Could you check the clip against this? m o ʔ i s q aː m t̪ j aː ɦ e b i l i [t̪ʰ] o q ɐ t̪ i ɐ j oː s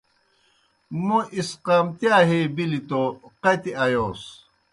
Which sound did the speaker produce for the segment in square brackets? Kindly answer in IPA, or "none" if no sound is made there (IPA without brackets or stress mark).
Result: t̪